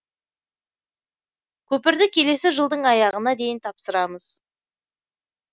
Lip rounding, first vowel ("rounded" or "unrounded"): rounded